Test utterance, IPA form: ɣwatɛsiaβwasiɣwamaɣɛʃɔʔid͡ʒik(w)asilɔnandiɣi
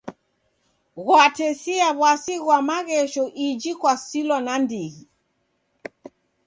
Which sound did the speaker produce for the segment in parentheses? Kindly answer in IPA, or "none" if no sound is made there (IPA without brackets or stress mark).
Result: w